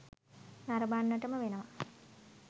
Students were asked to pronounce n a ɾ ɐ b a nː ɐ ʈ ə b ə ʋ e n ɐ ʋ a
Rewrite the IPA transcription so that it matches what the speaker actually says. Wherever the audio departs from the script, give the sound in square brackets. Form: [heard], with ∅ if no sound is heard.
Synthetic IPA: n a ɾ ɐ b a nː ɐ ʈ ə [m] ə ʋ e n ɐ ʋ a